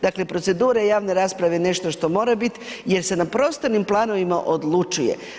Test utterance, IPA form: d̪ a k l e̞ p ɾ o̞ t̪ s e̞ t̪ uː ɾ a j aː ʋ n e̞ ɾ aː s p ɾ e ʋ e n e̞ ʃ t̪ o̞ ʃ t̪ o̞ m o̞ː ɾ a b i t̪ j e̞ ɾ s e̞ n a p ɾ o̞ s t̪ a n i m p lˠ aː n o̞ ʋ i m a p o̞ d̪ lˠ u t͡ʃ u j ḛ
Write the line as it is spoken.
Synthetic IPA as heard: d̪ a k l e̞ p ɾ o̞ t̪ s e̞ d̪ uː ɾ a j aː ʋ n e̞ ɾ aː s p ɾ a ʋ e n e̞ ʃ t̪ o̞ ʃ t̪ o̞ m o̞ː ɾ a b i t̪ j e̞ ɾ s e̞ n a p ɾ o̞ s t̪ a n i m p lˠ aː n o̞ ʋ i m a ʔ o̞ d̪ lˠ u t͡ʃ u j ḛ